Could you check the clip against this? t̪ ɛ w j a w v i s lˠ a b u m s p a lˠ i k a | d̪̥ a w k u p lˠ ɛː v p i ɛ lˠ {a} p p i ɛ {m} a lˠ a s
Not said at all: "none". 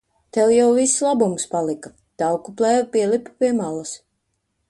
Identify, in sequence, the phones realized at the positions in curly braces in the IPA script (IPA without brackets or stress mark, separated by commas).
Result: i, m